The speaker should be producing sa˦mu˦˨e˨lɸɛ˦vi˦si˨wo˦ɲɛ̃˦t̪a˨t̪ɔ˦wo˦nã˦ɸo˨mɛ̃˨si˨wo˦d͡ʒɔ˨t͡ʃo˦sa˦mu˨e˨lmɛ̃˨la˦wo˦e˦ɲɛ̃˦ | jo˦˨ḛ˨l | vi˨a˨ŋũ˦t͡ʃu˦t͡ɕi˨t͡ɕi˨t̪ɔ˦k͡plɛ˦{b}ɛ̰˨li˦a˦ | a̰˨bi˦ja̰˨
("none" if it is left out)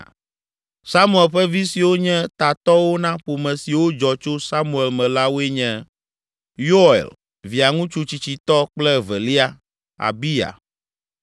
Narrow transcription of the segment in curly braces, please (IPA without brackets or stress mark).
v